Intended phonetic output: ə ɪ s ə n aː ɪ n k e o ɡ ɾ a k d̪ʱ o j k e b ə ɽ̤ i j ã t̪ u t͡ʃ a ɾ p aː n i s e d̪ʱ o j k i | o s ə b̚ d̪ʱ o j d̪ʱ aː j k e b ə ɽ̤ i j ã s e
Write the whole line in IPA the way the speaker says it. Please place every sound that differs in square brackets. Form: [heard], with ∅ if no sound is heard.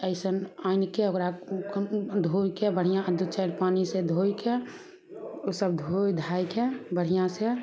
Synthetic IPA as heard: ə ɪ s ə n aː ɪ n k e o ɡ ɾ a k d̪ʱ o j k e b ə ɽ̤ i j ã [d̪] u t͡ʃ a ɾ p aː n i s e d̪ʱ o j k [e] | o s ə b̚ d̪ʱ o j d̪ʱ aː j k e b ə ɽ̤ i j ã s e

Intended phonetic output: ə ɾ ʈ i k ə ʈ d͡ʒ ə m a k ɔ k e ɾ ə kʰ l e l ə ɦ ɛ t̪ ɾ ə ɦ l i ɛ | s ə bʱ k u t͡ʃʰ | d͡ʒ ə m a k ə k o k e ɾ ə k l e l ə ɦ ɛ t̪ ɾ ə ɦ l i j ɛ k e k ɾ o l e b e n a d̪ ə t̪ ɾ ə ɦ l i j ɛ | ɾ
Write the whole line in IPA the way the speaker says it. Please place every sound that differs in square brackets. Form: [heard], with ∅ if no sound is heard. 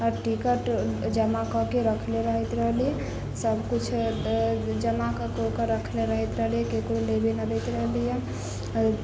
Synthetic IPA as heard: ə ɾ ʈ i k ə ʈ d͡ʒ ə m a k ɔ k e ɾ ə kʰ l e [ɾ] ə ɦ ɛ t̪ ɾ ə ɦ l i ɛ | s ə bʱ k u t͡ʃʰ | d͡ʒ ə m a k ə k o k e ɾ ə [kʰ] l e [ɾ] ə ɦ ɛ t̪ ɾ ə ɦ l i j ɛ k e k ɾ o l e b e n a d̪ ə t̪ ɾ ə ɦ l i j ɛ | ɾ

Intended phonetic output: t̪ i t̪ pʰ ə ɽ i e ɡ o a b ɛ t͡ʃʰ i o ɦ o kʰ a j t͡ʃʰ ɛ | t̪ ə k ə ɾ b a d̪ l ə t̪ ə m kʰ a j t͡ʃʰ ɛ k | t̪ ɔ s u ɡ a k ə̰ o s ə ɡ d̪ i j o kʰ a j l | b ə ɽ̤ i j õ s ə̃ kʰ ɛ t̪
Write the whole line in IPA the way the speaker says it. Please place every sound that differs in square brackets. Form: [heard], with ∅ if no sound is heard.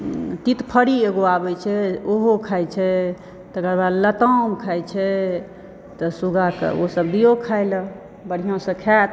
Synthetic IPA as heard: t̪ i t̪ pʰ ə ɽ i e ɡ o a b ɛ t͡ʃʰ [ɛ] o ɦ o kʰ a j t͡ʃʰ ɛ | t̪ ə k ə ɾ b a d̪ l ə t̪ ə m kʰ a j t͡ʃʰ ɛ [∅] | t̪ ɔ s u ɡ a k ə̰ o s ə [b] d̪ i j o kʰ a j l | b ə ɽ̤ i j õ s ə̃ kʰ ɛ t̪

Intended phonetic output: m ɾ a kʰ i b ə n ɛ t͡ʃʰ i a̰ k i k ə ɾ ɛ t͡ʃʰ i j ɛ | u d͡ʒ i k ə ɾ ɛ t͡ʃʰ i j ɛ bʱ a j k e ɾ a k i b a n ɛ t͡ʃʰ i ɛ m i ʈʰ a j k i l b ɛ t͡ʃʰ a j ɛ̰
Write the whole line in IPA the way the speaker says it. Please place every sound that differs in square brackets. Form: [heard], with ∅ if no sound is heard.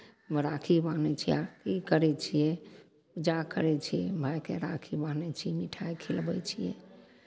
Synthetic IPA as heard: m ɾ a kʰ i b [a] n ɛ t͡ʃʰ i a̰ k i k ə ɾ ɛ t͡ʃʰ i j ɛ | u d͡ʒ [a] k ə ɾ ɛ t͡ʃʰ i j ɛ bʱ a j k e ɾ a [kʰ] i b a n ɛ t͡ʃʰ i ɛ m i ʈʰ a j [kʰ] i l b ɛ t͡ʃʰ [i] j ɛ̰

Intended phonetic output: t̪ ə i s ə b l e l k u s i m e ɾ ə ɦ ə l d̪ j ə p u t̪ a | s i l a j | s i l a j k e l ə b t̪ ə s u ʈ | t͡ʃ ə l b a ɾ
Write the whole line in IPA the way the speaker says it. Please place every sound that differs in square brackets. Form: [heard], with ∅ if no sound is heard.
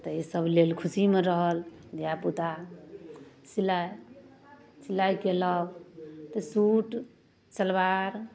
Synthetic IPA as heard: t̪ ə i s ə b l e l [kʰ] u s i m e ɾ ə ɦ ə l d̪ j [a] p u t̪ a | s i l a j | s i l a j k e l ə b t̪ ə s u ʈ | t͡ʃ ə l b a ɾ

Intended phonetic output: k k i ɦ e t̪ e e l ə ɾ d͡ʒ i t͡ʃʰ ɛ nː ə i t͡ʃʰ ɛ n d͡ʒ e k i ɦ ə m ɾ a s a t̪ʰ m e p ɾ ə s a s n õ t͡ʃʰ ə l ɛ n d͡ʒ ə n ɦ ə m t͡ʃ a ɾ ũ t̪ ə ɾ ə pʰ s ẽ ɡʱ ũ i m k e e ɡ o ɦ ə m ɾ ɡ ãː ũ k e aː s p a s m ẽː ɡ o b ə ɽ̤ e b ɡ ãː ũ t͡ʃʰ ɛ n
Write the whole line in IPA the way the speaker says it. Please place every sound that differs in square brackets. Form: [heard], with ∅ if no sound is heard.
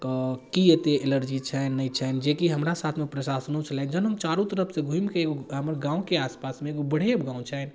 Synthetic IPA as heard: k k i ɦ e t̪ e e l ə ɾ d͡ʒ i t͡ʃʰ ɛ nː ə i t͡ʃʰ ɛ n d͡ʒ e k i ɦ ə m ɾ a s a t̪ʰ m e p ɾ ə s a s n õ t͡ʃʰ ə l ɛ n d͡ʒ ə n ɦ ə m t͡ʃ a ɾ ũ t̪ ə ɾ ə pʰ s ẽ ɡʱ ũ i m k e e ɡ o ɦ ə m ɾ ɡ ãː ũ k e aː s p a s m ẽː ɡ o b ə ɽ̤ e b ɡ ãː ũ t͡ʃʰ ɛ n

